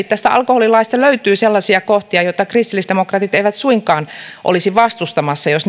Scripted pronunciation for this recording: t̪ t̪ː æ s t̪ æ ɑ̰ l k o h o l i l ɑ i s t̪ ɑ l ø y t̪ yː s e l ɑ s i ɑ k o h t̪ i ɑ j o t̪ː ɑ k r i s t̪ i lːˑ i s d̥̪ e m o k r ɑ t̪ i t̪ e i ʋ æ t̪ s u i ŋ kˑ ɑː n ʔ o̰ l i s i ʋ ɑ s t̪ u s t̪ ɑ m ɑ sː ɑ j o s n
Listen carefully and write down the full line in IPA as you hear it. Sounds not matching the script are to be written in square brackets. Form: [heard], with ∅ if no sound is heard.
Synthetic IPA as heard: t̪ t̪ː æ s t̪ æ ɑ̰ l k o h o l i l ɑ i s t̪ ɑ l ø y t̪ yː s e [lː] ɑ s i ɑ k o h t̪ i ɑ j o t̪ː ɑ k r i s t̪ i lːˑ i s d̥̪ e m o k r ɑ t̪ i t̪ e i ʋ æ t̪ s u i ŋ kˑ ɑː n ʔ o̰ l i s i ʋ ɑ s t̪ u s t̪ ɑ m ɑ sː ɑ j o s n